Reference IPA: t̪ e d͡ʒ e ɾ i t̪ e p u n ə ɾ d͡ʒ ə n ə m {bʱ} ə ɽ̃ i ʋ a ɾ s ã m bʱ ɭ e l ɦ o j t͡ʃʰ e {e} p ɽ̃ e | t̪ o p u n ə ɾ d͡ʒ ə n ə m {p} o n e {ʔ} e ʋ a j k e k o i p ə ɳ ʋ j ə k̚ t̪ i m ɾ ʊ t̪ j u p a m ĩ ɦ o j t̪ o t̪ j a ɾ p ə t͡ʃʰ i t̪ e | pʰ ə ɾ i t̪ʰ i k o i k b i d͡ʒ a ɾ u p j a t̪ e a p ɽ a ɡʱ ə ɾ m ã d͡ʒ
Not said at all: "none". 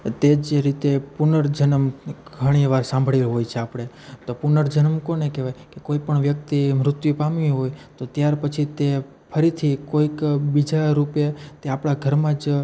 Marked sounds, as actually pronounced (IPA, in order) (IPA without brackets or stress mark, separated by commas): ɡʱ, a, k, k